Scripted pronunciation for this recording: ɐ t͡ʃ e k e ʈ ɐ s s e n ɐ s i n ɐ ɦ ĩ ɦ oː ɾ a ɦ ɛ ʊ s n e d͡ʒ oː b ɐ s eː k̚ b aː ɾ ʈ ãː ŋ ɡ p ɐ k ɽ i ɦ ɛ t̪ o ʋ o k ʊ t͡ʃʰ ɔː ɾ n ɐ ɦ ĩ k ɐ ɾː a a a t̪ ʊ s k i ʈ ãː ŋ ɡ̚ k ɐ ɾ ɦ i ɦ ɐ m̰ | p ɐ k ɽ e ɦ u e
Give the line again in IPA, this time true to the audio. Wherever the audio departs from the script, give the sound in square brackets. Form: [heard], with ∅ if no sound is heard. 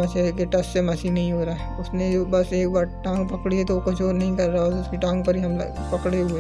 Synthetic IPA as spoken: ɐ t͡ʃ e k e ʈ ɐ s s e [m] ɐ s i n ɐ ɦ ĩ ɦ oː ɾ a ɦ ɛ ʊ s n e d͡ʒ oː b ɐ s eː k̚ b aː ɾ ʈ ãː ŋ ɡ p ɐ k ɽ i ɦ ɛ t̪ o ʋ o k ʊ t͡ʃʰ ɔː ɾ n ɐ ɦ ĩ k ɐ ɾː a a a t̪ ʊ s k i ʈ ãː ŋ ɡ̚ [p] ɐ ɾ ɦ i ɦ ɐ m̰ | p ɐ k ɽ e ɦ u e